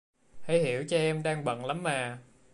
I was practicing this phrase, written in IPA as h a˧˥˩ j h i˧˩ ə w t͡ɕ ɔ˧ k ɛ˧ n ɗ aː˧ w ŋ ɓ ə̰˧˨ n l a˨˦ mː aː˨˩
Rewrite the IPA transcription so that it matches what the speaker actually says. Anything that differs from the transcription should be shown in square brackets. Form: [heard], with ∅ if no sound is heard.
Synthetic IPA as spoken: h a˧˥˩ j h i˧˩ ə w t͡ɕ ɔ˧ [ʔ] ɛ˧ [m] ɗ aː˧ [∅] ŋ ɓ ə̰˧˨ n l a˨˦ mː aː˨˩